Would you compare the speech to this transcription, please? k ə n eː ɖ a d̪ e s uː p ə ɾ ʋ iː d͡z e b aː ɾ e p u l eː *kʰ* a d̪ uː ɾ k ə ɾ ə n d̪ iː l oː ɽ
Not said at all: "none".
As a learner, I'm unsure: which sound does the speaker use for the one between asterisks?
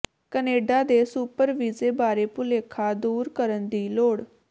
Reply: kʰ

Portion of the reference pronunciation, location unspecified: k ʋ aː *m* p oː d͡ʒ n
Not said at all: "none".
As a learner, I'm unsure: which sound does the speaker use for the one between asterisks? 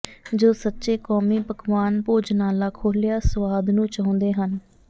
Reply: n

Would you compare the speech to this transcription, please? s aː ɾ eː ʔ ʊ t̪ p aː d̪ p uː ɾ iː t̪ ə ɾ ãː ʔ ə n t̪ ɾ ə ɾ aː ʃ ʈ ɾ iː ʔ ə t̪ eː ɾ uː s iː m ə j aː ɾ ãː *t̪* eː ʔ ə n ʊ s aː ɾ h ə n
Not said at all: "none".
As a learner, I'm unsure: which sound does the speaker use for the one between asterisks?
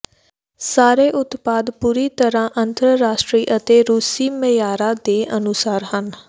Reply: d̪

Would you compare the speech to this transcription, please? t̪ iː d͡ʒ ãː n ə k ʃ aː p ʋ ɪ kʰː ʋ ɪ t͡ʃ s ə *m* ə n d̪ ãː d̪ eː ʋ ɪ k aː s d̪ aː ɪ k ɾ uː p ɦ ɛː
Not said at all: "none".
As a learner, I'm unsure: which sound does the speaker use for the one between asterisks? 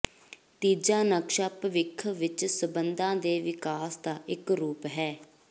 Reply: b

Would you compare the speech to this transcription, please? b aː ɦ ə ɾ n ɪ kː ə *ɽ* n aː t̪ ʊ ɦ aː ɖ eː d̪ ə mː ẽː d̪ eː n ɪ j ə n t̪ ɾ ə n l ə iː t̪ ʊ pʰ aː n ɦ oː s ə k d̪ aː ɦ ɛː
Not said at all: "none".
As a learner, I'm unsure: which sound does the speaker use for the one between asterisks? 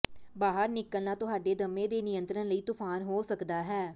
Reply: l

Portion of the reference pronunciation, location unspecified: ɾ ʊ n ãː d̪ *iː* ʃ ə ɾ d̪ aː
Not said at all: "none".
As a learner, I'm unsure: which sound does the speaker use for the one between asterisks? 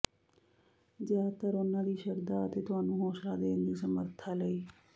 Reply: iː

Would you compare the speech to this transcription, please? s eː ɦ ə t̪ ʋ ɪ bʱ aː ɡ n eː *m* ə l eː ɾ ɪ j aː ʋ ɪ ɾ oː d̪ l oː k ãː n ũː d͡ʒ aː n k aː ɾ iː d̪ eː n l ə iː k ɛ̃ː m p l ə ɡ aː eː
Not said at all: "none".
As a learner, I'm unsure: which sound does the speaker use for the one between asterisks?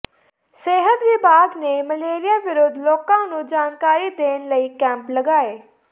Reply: m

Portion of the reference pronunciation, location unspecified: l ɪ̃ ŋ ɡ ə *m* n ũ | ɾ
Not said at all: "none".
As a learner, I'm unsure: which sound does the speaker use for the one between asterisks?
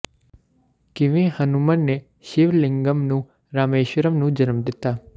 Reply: m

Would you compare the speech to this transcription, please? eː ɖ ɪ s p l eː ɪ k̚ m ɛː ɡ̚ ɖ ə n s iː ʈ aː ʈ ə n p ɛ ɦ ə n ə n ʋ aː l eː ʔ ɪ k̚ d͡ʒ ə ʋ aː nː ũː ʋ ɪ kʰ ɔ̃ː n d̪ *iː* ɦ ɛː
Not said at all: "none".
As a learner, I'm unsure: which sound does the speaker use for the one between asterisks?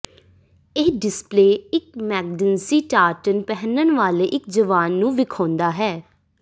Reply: aː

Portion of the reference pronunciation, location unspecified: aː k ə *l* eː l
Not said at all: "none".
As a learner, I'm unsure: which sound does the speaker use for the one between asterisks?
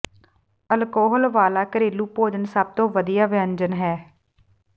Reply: ɾ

